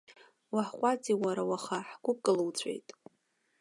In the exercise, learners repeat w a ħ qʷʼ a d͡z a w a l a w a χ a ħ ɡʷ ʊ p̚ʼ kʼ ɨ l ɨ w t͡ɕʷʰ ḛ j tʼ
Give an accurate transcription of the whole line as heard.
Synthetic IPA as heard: w a ħ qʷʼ a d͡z i w a ɾ a w a χ a ħ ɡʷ ʊ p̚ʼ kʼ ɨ l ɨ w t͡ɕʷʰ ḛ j tʼ